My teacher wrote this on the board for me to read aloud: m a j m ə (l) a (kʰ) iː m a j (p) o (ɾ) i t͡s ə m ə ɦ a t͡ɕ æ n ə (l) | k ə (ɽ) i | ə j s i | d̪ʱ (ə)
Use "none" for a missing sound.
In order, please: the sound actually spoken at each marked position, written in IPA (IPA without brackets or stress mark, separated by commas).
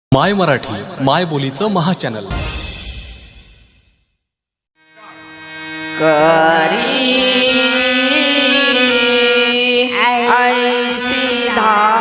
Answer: ɾ, ʈʰ, b, l, l, ɾ, a